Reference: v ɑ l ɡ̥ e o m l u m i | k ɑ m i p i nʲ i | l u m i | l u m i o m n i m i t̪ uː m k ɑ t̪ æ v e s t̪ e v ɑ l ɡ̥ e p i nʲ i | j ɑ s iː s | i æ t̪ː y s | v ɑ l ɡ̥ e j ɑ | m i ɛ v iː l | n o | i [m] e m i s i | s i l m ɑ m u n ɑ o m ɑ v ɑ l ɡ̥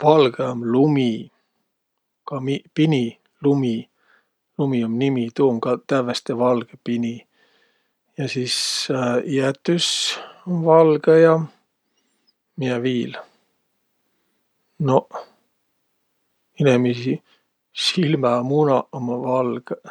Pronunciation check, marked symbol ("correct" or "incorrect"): incorrect